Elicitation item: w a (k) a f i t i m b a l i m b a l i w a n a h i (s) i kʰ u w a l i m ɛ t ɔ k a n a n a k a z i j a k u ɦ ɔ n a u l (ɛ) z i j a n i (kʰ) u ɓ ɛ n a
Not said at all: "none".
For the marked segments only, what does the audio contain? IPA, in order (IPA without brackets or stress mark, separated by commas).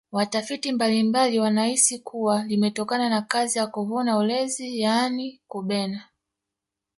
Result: t, s, ɛ, k